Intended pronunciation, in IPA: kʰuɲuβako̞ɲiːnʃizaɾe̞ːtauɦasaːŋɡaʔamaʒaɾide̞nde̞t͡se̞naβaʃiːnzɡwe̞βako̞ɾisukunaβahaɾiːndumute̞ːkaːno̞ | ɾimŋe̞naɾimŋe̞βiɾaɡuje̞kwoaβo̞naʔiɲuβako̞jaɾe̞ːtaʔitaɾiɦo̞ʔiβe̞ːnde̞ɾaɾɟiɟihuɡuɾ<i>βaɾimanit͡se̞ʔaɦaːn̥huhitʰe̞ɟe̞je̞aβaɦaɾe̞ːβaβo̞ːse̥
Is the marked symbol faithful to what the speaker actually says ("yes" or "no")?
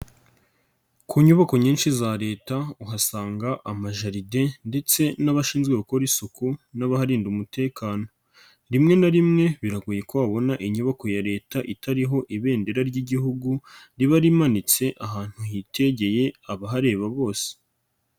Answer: yes